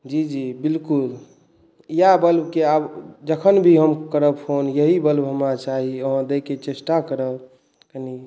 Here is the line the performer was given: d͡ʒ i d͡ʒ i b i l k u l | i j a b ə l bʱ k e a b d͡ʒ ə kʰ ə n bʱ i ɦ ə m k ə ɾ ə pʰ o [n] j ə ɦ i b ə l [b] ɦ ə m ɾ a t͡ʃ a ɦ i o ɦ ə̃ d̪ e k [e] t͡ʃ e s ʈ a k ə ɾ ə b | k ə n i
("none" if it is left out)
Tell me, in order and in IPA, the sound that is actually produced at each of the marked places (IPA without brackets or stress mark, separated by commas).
n, b, e